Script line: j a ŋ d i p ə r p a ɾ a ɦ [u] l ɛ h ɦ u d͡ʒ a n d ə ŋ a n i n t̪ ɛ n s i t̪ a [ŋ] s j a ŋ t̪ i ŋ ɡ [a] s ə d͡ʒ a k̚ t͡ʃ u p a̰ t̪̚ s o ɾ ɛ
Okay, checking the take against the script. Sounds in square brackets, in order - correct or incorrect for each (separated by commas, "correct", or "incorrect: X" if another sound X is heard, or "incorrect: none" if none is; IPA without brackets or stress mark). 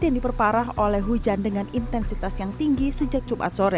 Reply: incorrect: o, incorrect: none, incorrect: i